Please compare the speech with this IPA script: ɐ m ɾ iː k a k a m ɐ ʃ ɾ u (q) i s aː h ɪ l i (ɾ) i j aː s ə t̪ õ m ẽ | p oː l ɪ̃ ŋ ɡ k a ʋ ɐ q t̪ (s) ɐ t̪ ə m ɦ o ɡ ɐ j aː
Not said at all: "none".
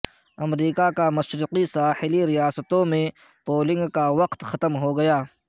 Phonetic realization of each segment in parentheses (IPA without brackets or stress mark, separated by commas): q, ɾ, x